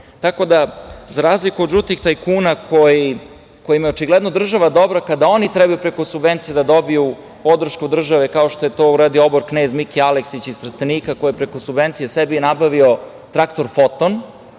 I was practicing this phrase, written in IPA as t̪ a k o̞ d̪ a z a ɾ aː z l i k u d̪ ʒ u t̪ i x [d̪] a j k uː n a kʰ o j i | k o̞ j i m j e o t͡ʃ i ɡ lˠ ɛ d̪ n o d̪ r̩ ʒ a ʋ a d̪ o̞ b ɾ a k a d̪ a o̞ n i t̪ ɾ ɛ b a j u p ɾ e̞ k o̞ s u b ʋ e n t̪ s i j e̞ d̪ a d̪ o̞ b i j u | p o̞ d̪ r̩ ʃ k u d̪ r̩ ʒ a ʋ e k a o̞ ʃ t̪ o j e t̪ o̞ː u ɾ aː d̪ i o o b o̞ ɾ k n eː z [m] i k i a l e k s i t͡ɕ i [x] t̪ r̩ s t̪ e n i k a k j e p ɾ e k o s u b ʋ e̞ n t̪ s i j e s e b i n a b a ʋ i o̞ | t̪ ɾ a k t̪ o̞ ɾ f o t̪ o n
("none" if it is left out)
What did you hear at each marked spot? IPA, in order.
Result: t̪, m, s

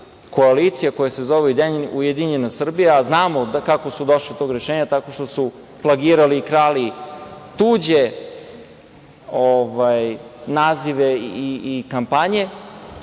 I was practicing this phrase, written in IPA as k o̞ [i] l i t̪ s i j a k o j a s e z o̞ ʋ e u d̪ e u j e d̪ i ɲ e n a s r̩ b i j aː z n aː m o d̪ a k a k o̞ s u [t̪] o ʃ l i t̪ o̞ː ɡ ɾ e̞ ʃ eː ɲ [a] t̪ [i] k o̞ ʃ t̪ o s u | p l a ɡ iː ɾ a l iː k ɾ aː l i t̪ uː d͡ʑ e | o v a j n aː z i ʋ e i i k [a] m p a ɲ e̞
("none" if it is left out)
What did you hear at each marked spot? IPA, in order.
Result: a, d̪, a, a, a

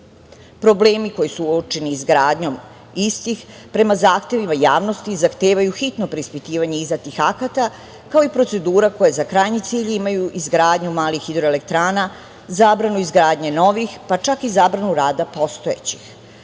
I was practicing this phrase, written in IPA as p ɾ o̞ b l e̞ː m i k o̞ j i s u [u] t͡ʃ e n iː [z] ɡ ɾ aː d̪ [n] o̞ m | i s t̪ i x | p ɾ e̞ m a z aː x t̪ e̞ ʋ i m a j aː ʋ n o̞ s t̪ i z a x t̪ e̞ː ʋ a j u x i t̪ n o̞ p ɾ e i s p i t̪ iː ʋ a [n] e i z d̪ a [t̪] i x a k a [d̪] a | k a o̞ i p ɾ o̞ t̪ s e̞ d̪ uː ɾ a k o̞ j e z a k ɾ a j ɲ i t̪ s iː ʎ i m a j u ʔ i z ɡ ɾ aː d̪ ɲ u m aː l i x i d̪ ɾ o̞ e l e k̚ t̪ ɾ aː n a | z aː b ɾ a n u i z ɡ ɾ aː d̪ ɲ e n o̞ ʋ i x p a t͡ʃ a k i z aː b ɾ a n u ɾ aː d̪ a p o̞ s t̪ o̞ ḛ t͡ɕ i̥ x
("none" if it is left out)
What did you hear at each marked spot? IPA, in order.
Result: o, z, ɲ, ɲ, t̪, t̪

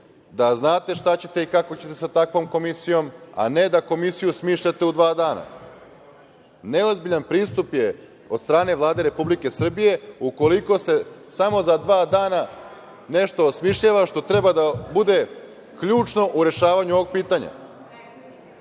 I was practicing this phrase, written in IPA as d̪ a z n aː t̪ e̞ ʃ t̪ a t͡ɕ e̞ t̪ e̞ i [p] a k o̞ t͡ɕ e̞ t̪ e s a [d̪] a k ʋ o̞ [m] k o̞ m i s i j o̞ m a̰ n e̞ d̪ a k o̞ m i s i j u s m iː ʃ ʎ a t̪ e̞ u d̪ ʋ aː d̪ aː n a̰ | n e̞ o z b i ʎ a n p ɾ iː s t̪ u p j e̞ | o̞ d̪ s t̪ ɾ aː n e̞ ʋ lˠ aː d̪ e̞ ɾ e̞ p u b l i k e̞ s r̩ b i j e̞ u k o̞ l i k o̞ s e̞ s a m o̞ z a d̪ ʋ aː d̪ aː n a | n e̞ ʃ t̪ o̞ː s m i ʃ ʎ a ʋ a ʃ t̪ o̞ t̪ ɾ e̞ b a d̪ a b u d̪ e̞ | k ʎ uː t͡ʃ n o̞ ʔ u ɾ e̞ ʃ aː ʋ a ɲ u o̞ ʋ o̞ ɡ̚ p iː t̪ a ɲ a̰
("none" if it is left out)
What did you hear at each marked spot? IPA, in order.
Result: k, t̪, m

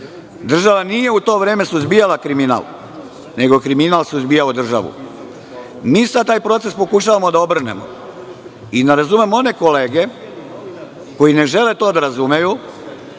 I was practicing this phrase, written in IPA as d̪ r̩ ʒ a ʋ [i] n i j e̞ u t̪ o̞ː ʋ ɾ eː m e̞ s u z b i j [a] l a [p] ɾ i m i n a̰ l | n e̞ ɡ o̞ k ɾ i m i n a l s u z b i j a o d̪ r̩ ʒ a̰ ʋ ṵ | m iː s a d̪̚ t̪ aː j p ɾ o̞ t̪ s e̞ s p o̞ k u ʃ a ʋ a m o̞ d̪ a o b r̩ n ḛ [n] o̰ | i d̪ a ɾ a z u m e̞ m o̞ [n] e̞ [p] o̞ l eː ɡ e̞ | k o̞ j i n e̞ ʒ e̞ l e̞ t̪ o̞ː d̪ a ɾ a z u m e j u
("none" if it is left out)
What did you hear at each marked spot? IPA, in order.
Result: a, a, k, m, n, k

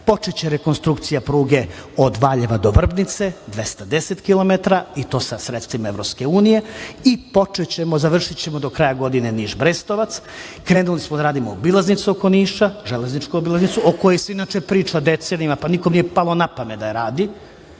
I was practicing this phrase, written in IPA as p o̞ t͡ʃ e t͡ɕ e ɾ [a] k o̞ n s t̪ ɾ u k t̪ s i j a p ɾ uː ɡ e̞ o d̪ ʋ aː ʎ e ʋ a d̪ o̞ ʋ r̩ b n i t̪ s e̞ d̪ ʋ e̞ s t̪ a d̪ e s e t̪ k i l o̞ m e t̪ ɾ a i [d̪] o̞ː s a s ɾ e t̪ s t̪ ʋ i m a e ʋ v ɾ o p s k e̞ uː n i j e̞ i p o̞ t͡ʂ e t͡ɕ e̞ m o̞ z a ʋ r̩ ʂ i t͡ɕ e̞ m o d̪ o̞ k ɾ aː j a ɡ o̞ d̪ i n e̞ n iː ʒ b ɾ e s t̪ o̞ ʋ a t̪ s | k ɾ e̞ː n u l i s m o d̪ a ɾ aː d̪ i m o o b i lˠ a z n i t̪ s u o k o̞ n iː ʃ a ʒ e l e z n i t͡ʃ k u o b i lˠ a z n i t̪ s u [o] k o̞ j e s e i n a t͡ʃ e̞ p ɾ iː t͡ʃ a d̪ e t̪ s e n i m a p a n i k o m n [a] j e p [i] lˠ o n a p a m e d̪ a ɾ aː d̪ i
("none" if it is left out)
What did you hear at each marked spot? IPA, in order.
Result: e, t̪, o, i, a

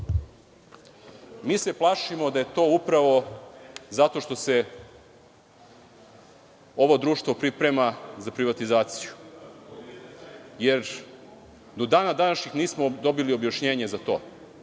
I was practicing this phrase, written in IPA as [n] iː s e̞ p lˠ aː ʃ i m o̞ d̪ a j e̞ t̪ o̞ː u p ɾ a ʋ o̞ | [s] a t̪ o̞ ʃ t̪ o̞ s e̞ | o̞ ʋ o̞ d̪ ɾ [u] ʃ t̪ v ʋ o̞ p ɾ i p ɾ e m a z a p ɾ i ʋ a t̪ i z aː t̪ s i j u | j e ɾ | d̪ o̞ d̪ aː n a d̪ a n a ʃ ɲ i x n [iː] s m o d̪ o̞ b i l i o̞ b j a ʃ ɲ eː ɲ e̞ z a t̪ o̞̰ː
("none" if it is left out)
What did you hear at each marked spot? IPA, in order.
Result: m, z, uː, iː

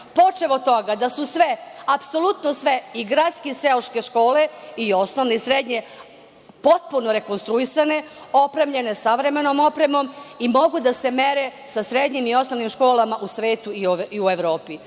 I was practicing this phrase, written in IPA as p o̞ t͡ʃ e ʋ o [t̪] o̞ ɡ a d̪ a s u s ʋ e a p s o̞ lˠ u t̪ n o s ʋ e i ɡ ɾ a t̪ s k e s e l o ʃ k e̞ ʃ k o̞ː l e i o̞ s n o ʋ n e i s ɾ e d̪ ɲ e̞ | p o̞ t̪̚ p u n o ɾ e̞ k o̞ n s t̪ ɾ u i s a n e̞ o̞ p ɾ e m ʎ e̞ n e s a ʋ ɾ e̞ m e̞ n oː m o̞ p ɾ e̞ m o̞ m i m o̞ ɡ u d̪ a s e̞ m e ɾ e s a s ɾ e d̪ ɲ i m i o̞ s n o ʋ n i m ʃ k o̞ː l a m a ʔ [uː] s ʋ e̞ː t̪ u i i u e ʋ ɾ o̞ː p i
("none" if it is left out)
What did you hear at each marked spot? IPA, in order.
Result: t̪, u

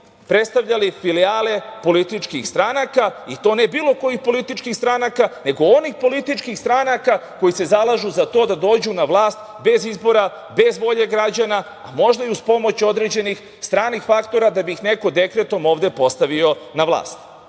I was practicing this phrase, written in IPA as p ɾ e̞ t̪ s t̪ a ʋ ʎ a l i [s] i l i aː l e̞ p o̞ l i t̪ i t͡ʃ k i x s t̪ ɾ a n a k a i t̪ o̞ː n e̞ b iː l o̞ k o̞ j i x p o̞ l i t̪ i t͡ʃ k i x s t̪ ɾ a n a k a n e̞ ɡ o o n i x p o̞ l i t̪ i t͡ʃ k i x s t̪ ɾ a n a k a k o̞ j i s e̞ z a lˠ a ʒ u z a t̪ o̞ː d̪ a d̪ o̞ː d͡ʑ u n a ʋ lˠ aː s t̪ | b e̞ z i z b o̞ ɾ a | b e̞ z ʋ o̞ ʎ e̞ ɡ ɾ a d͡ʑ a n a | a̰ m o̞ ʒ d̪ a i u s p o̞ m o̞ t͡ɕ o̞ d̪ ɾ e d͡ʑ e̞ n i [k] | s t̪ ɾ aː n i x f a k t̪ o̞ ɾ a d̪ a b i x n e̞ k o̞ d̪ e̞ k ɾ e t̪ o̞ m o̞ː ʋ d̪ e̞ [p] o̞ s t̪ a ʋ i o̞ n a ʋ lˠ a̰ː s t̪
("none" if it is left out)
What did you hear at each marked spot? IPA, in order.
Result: f, x, p

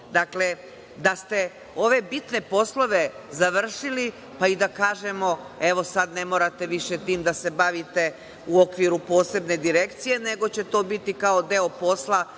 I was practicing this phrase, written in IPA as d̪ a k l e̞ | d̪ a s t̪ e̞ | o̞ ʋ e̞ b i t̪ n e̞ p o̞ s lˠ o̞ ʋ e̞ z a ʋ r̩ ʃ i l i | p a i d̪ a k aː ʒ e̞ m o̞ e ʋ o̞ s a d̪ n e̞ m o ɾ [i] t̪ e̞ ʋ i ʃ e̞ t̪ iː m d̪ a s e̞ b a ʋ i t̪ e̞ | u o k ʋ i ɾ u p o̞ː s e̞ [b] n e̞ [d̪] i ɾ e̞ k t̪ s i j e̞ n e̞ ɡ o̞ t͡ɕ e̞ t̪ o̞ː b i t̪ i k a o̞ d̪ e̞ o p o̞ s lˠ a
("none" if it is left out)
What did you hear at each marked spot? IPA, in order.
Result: a, b, d̪

